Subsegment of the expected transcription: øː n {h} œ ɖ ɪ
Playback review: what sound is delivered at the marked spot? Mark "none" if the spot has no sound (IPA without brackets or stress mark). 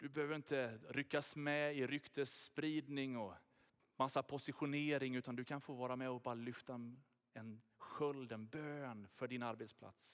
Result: f